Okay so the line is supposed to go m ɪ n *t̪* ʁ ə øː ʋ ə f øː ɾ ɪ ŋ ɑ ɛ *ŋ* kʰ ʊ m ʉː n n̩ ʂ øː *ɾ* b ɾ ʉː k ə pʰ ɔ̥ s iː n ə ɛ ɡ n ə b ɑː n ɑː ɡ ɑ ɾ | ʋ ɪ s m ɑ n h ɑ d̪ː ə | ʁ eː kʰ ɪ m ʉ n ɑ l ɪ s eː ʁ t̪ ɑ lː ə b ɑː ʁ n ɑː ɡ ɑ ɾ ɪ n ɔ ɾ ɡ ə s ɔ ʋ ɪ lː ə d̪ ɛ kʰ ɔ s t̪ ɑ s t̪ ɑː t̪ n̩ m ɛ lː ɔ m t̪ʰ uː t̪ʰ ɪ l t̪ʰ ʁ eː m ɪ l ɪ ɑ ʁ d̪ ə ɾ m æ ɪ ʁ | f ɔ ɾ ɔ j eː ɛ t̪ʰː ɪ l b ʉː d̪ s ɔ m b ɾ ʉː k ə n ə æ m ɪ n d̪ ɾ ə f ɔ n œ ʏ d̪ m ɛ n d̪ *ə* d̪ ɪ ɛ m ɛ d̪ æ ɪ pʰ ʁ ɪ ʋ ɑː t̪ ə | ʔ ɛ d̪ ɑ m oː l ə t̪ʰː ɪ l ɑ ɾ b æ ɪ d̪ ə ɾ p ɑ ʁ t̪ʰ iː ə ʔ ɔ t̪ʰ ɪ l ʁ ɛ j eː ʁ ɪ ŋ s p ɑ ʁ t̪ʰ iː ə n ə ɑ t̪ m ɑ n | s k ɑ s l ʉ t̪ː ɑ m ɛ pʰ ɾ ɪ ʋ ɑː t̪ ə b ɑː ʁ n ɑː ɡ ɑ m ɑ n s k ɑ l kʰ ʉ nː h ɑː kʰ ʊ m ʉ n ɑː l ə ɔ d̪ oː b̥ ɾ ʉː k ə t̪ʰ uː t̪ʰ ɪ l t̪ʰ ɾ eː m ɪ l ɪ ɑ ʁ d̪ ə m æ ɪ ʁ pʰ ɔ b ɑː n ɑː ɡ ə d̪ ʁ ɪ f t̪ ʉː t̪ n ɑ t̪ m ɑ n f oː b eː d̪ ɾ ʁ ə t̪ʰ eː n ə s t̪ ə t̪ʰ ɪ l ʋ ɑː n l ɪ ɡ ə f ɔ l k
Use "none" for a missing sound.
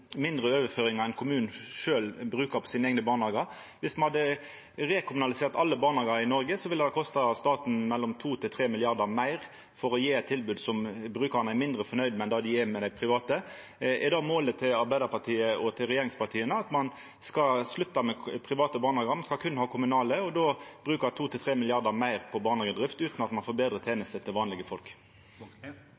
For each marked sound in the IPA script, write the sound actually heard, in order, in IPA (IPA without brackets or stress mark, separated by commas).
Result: d̪, n, l, ɑ